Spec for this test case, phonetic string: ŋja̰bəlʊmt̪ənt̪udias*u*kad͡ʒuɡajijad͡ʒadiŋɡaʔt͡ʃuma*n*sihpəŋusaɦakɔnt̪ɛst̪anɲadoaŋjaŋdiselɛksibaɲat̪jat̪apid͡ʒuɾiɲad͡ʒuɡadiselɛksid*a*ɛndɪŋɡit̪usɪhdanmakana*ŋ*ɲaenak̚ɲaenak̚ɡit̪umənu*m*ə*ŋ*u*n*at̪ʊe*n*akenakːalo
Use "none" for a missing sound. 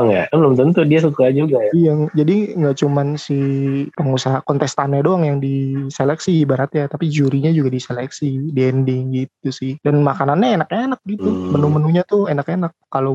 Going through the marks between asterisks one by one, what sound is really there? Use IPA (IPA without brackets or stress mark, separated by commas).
u, n, i, n, m, n, ɲ, n